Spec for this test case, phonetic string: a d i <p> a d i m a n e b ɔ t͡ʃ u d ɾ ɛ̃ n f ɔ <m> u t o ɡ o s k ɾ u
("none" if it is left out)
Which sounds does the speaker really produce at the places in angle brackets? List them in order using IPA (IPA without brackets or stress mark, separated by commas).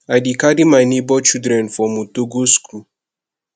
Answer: k, m